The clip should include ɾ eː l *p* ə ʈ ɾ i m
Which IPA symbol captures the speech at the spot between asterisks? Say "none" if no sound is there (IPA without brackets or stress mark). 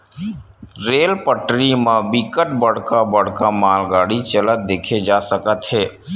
p